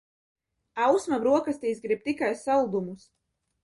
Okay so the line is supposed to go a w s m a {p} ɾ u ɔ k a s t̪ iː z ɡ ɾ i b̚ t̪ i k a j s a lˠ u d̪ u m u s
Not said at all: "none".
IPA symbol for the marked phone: b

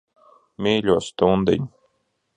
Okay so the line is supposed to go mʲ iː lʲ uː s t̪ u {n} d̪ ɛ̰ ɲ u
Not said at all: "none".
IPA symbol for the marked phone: n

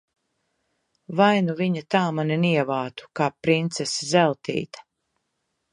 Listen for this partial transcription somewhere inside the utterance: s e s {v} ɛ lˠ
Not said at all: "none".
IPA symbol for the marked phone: z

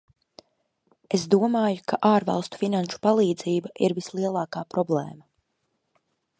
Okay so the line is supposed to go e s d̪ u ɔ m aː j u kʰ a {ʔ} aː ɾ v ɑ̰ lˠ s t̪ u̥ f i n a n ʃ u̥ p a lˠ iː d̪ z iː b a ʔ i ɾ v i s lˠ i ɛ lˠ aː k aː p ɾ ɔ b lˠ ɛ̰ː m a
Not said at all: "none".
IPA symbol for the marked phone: ʔ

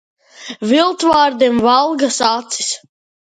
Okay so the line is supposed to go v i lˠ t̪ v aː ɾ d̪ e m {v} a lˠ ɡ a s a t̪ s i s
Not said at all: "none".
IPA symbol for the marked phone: v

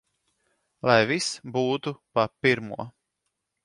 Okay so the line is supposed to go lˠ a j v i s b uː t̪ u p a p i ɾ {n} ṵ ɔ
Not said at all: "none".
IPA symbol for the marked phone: m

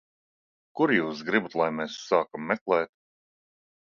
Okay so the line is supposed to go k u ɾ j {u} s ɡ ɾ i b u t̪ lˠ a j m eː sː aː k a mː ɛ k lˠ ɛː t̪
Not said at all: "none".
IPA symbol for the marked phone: uː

